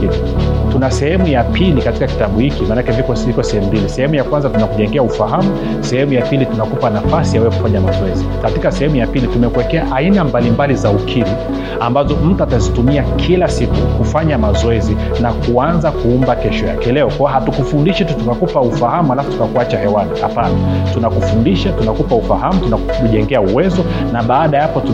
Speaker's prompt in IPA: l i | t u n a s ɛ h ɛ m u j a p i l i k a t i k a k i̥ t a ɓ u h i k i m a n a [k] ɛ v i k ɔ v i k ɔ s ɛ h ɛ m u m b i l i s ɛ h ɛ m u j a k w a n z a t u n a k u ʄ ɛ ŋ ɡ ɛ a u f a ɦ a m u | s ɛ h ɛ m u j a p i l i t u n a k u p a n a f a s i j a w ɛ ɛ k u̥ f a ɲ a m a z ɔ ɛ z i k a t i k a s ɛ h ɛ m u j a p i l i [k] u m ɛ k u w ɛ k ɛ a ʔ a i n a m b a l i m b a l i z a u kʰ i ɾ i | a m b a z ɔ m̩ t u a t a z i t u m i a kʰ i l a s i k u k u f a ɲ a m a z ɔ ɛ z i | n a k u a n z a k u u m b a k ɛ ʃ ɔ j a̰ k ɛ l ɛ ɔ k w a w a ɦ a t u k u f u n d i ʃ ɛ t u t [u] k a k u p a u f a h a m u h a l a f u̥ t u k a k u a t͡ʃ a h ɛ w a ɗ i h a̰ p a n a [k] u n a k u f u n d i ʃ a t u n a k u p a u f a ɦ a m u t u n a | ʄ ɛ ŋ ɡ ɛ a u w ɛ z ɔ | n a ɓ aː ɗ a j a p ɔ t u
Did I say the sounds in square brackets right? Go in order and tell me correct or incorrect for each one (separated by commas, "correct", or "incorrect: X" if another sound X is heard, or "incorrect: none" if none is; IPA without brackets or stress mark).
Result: correct, incorrect: t, correct, incorrect: t